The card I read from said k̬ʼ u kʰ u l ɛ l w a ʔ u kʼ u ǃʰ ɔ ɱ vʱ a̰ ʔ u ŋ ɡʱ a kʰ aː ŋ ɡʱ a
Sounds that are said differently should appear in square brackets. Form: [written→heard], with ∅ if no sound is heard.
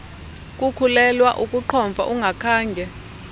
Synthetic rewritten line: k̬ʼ u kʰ u l ɛ l w a ʔ u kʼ u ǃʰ ɔ ɱ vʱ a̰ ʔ u ŋ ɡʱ a kʰ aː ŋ ɡʱ [a→ɛ]